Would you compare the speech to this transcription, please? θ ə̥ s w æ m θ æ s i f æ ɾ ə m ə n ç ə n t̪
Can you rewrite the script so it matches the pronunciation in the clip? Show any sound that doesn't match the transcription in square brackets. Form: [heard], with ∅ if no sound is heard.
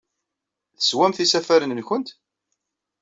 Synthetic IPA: θ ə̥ s w æ m θ [i] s [æ] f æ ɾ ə [n] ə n ç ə n t̪